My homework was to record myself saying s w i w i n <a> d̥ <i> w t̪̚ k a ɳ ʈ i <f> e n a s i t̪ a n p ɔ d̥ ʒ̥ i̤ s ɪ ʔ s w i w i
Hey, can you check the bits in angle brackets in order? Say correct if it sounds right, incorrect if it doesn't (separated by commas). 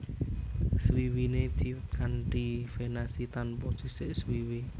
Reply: incorrect, correct, correct